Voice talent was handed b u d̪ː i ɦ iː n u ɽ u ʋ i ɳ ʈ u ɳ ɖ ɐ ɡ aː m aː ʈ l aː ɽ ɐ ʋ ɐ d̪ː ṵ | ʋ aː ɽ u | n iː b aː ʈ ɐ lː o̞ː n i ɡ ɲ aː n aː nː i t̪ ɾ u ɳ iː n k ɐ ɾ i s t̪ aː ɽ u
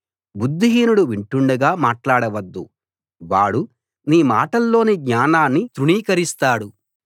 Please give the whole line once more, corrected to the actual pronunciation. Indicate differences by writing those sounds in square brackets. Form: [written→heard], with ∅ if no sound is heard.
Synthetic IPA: b u d̪ː i ɦ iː n u ɽ u ʋ i ɳ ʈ u ɳ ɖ ɐ ɡ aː m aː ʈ l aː ɽ ɐ ʋ ɐ d̪ː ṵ | ʋ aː ɽ u | n iː [b→m] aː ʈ ɐ lː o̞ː n i ɡ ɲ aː n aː nː i t̪ ɾ u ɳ iː [n→∅] k ɐ ɾ i s t̪ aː ɽ u